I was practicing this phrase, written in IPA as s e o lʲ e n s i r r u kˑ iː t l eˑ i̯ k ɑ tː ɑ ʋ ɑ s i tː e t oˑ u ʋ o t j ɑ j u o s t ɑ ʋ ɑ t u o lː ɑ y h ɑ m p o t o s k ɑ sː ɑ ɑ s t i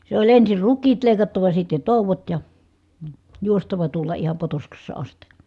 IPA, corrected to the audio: s e o lʲ e n s i r r u kˑ iː t l eˑ i̯ k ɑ tː ɑ ʋ ɑ s i tː e t oˑ u ʋ o t j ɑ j u o s t ɑ ʋ ɑ t u o lː ɑ i h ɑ m p o t o s k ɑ sː ɑ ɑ s t i